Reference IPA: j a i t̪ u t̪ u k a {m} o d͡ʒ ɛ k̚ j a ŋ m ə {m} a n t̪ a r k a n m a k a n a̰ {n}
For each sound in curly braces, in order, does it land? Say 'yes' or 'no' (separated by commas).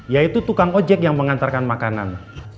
no, no, yes